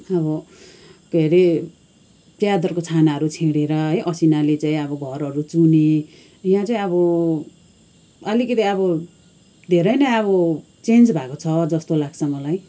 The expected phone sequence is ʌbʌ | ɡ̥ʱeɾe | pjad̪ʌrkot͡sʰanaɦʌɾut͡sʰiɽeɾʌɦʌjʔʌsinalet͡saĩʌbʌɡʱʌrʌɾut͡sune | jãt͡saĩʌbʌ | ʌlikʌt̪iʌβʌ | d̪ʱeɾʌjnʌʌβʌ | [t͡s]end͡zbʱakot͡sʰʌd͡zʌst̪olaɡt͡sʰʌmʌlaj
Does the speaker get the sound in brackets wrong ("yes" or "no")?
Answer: no